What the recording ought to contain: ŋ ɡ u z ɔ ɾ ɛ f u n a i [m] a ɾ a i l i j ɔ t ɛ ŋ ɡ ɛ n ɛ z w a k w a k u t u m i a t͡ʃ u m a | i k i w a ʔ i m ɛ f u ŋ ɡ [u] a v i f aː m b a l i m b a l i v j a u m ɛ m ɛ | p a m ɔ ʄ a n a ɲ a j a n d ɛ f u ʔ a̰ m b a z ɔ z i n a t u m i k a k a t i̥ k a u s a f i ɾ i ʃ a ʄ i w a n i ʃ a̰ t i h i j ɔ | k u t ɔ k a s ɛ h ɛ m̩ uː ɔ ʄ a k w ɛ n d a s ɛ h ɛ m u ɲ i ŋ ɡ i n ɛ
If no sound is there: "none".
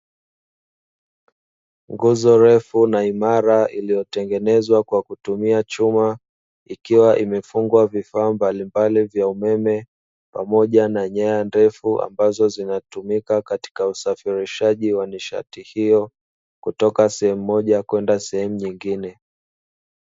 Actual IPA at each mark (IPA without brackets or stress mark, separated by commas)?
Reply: m, w